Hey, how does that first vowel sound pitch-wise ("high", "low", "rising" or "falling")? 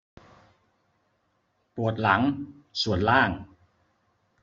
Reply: low